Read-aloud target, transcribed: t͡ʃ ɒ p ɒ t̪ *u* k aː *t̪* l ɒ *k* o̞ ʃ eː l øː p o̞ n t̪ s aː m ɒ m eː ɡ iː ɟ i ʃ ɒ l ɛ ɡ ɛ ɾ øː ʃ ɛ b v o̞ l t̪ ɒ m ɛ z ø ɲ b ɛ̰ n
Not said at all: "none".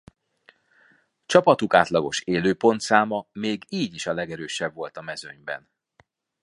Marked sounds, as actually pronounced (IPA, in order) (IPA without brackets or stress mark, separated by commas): u, t̪, ɡ